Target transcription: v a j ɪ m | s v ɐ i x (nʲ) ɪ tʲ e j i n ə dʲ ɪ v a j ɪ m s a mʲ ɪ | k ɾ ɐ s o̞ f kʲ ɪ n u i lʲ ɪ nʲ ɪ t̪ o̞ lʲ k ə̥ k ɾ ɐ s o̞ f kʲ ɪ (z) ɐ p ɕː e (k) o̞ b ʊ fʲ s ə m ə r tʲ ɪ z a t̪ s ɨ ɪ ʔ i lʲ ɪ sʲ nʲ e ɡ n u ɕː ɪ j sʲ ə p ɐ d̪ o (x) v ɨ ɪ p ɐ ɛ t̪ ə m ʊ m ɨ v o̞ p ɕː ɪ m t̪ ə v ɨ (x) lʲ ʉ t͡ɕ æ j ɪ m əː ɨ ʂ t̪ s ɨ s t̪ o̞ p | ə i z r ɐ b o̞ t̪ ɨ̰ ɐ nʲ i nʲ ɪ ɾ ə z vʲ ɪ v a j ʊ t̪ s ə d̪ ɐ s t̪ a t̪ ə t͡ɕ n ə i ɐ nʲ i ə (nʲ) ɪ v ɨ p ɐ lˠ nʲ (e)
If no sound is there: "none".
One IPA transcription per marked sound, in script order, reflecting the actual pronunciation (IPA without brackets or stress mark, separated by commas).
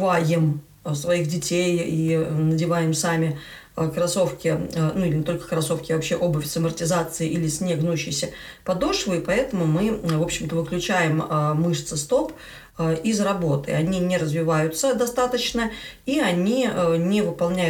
dʲ, v, ʔ, ʂ, k, nʲ, æ